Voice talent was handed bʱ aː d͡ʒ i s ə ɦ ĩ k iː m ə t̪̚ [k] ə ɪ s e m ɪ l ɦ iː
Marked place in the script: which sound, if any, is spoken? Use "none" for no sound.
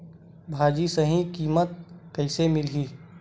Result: k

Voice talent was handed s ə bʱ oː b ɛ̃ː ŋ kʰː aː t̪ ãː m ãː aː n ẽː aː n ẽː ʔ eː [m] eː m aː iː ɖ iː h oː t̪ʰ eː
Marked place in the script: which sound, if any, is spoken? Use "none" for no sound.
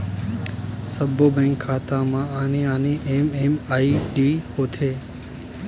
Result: m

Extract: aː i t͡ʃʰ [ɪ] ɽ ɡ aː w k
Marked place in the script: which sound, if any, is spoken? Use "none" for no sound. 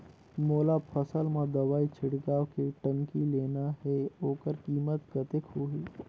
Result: ɪ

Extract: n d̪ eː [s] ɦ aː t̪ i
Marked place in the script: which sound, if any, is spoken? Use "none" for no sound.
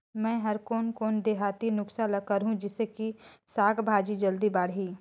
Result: none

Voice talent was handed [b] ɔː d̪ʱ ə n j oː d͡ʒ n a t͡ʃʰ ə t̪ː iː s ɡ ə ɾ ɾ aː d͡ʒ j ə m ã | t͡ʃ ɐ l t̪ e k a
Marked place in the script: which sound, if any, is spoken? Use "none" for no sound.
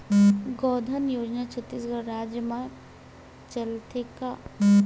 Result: ɡ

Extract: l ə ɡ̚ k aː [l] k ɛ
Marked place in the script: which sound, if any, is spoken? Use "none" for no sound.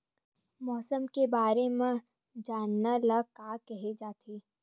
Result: none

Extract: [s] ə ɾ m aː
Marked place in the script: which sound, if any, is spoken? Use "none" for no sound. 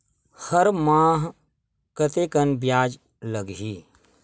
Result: h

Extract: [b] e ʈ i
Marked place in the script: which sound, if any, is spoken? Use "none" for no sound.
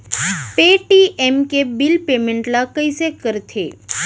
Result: p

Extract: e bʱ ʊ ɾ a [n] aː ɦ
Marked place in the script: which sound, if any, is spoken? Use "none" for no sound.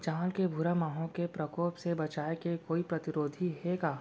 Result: m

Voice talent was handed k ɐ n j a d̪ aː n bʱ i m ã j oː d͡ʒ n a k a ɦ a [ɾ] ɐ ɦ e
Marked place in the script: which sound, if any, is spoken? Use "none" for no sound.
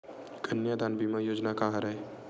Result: ɾ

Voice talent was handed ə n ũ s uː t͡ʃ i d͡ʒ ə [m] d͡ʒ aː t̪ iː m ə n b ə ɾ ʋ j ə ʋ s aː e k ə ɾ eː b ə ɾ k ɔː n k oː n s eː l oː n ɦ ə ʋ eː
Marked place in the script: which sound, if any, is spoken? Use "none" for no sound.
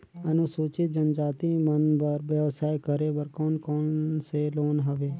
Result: n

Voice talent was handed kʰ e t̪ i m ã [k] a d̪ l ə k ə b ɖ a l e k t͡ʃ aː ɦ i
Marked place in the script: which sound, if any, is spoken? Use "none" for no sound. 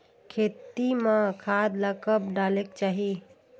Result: kʰ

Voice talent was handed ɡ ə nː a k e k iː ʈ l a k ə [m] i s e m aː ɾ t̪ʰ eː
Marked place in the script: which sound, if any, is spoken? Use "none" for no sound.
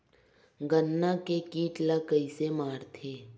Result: none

